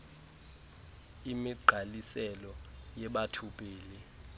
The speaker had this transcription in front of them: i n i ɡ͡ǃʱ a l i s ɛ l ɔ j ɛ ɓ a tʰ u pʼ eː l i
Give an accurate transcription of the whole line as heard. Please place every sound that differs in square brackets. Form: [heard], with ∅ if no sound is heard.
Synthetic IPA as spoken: i [m] i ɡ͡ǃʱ a l i s ɛ l ɔ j ɛ ɓ a tʰ u pʼ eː l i